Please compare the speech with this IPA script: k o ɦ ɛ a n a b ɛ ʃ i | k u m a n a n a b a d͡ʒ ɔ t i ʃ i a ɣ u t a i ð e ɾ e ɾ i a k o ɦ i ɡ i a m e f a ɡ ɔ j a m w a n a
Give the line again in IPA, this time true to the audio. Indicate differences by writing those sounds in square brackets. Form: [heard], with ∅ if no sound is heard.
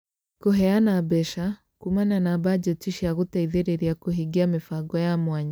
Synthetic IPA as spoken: k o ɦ ɛ a n a b ɛ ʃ [a] | k u m a n a n a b a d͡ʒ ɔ t i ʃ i a ɣ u t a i ð e ɾ e ɾ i a k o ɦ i ɡ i a m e f a ɡ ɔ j a m w a [ɲ] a